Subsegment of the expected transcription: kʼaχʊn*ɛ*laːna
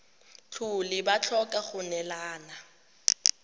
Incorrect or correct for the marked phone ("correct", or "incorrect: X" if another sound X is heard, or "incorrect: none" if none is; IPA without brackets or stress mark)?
correct